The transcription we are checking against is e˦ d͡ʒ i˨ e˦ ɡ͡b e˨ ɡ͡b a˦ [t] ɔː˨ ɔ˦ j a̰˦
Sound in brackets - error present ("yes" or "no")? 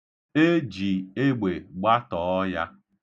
no